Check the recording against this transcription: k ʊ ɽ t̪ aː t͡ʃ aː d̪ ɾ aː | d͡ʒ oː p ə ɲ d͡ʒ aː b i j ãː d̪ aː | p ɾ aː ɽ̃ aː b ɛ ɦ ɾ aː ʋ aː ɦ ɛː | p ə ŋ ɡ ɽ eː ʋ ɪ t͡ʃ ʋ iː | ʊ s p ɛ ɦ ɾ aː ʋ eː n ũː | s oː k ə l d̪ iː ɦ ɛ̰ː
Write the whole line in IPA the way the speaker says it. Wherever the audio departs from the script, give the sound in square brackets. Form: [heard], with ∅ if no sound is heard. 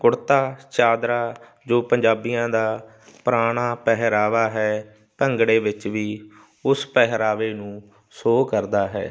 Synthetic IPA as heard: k ʊ ɽ t̪ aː t͡ʃ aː d̪ ɾ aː | d͡ʒ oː p ə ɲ d͡ʒ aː b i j ãː d̪ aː | p ɾ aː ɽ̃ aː [p] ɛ ɦ ɾ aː ʋ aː ɦ ɛː | p ə ŋ ɡ ɽ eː ʋ ɪ t͡ʃ ʋ iː | ʊ s p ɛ ɦ ɾ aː ʋ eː n ũː | s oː k ə [ɾ] d̪ [aː] ɦ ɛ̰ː

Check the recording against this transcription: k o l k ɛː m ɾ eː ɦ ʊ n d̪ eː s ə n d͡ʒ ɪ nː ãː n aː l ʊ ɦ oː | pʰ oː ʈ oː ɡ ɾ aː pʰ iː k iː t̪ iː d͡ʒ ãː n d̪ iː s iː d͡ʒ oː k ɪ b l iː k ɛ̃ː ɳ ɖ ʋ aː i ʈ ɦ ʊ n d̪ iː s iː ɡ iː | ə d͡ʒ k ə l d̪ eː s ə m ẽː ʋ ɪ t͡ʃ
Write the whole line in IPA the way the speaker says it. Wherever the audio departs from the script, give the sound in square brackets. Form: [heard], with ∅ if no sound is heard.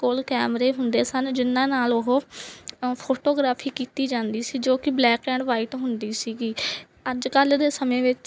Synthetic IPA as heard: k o l k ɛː m ɾ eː ɦ ʊ n d̪ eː s ə n d͡ʒ ɪ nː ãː n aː l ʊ ɦ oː | pʰ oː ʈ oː ɡ ɾ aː pʰ iː k iː t̪ iː d͡ʒ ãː n d̪ iː s iː d͡ʒ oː k ɪ b l [ɛː] k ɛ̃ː ɳ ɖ ʋ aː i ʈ ɦ ʊ n d̪ iː s iː ɡ iː | ə d͡ʒ k ə l d̪ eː s ə m ẽː ʋ ɪ t͡ʃ

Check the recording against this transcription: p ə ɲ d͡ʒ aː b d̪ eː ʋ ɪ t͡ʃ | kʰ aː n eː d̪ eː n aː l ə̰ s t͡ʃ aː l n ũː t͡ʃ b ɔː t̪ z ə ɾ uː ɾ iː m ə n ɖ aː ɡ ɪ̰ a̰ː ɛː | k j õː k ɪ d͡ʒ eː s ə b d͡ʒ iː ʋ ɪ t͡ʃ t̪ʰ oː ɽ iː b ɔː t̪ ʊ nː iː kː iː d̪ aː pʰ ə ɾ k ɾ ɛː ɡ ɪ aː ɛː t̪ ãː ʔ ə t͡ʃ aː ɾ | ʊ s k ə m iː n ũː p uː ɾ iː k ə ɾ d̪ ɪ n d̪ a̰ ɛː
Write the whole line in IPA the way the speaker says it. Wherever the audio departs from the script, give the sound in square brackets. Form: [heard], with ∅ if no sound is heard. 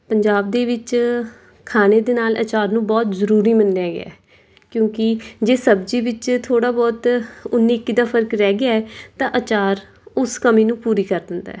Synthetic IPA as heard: p ə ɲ d͡ʒ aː b d̪ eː ʋ ɪ t͡ʃ | kʰ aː n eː d̪ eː n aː l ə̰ [∅] t͡ʃ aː [ɾ] n ũː [∅] b ɔː t̪ z ə ɾ uː ɾ iː m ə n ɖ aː ɡ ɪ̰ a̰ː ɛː | k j õː k ɪ d͡ʒ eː s ə b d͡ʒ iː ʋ ɪ t͡ʃ t̪ʰ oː ɽ [aː] b ɔː t̪ ʊ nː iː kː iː d̪ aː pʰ ə ɾ k ɾ ɛː ɡ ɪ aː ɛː t̪ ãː ʔ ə t͡ʃ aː ɾ | ʊ s k ə m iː n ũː p uː ɾ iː k ə ɾ d̪ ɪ n d̪ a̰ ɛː

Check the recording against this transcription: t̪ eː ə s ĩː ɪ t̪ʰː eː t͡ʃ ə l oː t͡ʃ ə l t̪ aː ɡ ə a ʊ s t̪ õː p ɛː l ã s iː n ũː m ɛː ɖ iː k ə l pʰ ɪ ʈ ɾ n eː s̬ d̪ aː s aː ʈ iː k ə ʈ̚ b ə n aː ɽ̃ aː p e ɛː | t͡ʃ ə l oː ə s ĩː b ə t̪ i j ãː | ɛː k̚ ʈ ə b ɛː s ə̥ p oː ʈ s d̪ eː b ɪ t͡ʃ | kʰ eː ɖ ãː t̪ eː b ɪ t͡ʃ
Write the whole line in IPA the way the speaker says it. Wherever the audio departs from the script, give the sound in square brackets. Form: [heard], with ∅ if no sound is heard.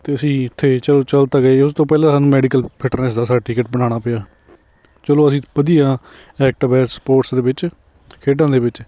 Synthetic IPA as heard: t̪ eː ə s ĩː ɪ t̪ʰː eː t͡ʃ ə l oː t͡ʃ ə l t̪ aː ɡ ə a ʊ s t̪ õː p ɛː l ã s [aː] n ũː m ɛː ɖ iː k ə l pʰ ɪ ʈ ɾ n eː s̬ d̪ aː s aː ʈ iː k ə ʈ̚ b ə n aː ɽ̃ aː p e [aː] | t͡ʃ ə l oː ə s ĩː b ə [d̪] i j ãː | ɛː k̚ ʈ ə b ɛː s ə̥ p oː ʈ s d̪ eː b ɪ t͡ʃ | kʰ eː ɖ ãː [d̪] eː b ɪ t͡ʃ

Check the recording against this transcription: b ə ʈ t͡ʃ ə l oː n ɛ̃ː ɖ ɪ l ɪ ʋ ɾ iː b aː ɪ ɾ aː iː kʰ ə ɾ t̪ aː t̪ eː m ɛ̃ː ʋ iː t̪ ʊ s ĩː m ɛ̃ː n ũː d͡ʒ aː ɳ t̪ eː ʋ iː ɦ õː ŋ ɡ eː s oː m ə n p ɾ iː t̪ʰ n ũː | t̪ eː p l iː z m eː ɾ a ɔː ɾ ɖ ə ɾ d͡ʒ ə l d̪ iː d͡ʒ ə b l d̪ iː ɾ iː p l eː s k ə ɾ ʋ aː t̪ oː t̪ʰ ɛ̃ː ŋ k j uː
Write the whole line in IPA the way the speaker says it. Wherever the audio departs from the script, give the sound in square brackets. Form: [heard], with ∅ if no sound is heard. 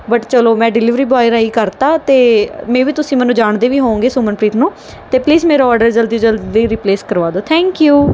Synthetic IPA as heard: b ə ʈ t͡ʃ ə l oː [m] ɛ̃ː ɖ ɪ l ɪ ʋ ɾ iː b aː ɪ ɾ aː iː [k] ə ɾ t̪ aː t̪ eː m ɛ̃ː ʋ iː t̪ ʊ s ĩː m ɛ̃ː n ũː d͡ʒ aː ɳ [d̪] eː ʋ iː ɦ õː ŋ ɡ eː s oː m ə n p ɾ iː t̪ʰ n ũː | t̪ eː p l iː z m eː ɾ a ɔː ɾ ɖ ə ɾ d͡ʒ ə l d̪ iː d͡ʒ ə [∅] l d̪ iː ɾ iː p l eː s k ə ɾ ʋ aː [d̪] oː t̪ʰ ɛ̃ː ŋ k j uː

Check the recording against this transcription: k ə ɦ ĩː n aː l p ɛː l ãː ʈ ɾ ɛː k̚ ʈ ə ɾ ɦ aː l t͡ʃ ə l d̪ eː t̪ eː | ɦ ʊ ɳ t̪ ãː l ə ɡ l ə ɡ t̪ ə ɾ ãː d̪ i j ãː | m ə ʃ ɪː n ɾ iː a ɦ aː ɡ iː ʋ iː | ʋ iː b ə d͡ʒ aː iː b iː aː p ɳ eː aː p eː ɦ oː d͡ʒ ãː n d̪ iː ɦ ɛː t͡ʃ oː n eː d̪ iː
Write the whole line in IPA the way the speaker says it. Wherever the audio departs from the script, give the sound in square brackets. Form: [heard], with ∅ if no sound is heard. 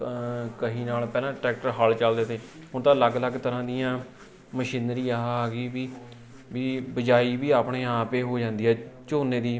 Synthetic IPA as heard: k ə ɦ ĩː n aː l p ɛː l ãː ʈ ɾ ɛː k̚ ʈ ə ɾ ɦ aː l t͡ʃ ə l d̪ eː t̪ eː | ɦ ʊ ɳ t̪ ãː l ə ɡ l ə ɡ t̪ ə ɾ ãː d̪ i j ãː | m ə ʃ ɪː n ɾ iː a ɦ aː ɡ iː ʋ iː | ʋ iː b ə d͡ʒ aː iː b iː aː p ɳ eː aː p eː ɦ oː d͡ʒ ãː n d̪ iː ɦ ɛː t͡ʃ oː n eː d̪ iː

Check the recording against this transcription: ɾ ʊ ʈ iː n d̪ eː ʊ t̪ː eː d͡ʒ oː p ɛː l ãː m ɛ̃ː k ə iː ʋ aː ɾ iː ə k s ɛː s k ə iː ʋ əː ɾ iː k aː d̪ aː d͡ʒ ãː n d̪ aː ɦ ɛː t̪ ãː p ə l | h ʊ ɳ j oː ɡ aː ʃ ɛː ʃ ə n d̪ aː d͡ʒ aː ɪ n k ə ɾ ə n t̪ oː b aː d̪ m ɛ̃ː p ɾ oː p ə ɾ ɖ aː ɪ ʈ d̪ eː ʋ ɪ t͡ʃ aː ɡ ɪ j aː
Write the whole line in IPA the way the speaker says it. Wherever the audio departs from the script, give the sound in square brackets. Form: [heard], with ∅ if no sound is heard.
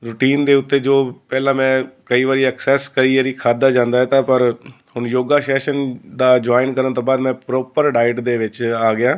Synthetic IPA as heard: ɾ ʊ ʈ iː n d̪ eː ʊ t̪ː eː d͡ʒ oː p ɛː l ãː m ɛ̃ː k ə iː ʋ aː ɾ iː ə k s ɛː s k ə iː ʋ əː ɾ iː [kʰ] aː d̪ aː d͡ʒ ãː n d̪ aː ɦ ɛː t̪ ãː p ə [ɾ] | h ʊ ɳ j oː ɡ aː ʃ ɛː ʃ ə n d̪ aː d͡ʒ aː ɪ n k ə ɾ ə n t̪ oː b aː d̪ m ɛ̃ː p ɾ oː p ə ɾ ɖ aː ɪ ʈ d̪ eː ʋ ɪ t͡ʃ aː ɡ ɪ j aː

